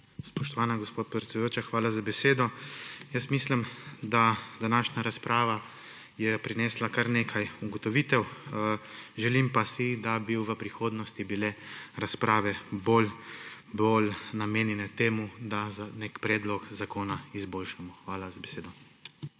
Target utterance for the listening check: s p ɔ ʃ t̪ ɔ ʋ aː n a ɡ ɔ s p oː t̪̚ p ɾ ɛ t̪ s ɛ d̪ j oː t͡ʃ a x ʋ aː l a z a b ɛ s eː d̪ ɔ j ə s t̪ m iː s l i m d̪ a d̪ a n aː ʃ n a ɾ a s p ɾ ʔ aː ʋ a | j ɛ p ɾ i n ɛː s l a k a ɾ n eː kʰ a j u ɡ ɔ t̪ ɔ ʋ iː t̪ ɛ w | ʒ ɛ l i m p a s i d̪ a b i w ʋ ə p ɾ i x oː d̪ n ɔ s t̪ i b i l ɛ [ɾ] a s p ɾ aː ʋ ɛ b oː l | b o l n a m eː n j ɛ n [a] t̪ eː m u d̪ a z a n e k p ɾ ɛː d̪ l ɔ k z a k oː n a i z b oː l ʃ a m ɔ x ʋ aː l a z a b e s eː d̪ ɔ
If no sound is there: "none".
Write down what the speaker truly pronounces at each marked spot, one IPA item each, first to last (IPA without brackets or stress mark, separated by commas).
ɾ, ɛ